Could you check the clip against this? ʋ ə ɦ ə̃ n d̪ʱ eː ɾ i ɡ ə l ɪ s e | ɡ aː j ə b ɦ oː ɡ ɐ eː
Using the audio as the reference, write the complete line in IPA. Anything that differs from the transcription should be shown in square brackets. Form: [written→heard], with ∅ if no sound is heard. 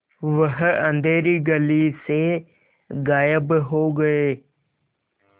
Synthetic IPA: ʋ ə ɦ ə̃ n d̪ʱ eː ɾ i ɡ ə l [ɪ→i] s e | ɡ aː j ə b ɦ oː ɡ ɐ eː